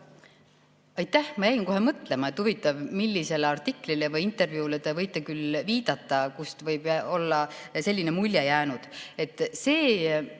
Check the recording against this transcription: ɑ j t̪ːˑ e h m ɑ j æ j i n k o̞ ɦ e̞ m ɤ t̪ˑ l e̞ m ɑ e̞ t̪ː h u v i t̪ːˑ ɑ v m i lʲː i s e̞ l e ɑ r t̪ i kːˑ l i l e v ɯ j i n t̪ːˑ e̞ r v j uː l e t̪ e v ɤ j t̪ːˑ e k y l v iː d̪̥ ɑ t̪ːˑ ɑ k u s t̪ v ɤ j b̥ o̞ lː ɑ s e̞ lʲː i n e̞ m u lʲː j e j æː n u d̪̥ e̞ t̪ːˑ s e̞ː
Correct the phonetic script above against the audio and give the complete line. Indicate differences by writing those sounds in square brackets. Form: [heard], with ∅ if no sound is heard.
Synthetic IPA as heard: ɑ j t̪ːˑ [æ] h m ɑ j æ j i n k o̞ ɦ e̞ m ɤ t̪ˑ l e̞ m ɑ e̞ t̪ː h u v i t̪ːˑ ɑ v m i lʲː i s e̞ l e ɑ r t̪ i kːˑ l i l e v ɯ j i n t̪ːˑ e̞ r v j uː l e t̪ e v ɤ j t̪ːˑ e k y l v iː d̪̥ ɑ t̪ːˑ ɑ k u s t̪ v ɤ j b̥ o̞ lː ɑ s e̞ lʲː i n e̞ m u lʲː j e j æː n u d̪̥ e̞ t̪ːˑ s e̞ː